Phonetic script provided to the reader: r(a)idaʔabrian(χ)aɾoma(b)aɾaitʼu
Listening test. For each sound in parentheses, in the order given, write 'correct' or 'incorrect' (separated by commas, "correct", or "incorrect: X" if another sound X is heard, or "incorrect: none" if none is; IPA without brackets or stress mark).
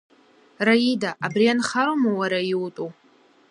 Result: correct, correct, incorrect: w